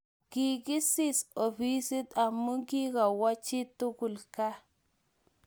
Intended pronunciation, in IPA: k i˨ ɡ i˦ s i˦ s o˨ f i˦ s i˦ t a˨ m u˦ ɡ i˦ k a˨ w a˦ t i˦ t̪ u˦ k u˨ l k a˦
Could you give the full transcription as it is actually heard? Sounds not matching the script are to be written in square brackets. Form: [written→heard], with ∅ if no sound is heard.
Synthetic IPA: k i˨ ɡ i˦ s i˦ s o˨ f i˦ s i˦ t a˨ m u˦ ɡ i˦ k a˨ w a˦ [t→t͡ʃ] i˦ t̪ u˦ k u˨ l k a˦